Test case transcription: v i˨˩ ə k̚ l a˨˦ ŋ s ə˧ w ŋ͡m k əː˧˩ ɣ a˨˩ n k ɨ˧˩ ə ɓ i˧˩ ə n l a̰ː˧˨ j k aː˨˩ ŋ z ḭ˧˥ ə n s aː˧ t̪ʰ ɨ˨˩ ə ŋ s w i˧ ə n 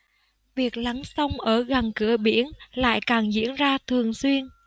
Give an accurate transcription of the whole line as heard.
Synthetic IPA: v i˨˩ ə k̚ l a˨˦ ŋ s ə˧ w ŋ͡m ʔ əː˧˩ ɣ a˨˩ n k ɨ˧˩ ə ɓ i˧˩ ə n l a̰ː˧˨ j k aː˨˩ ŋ z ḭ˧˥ ə n z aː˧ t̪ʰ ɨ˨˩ ə ŋ s w i˧ ə n